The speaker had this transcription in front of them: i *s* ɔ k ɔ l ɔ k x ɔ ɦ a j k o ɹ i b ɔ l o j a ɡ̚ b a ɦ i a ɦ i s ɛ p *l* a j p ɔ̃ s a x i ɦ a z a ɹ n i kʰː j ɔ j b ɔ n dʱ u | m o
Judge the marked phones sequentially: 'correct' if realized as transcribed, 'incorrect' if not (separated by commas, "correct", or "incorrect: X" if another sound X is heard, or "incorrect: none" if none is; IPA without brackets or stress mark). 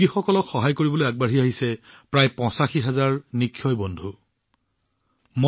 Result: incorrect: x, incorrect: ɹ